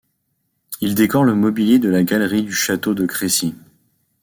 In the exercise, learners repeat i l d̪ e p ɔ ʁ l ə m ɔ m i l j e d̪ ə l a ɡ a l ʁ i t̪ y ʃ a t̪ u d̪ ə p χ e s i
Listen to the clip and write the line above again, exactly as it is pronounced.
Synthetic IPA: i l d̪ e k ɔ ʁ l ə m ɔ b i l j e d̪ ə l a ɡ a l ʁ i d̪ y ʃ a t̪ o d̪ ə k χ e s i